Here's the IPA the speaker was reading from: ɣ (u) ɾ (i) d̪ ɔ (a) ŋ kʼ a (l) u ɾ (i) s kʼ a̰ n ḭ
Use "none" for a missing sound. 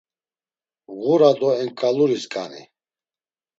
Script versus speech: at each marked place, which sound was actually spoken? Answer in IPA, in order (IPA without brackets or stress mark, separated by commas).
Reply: u, a, ɛ, l, i